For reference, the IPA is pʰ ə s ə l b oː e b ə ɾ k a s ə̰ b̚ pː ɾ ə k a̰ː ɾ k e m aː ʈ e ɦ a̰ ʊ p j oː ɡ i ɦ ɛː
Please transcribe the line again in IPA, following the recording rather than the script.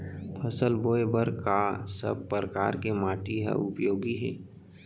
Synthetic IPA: pʰ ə s ə l b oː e b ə ɾ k a s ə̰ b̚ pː ɾ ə k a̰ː ɾ k e m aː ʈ i ɦ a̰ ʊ p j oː ɡ i ɦ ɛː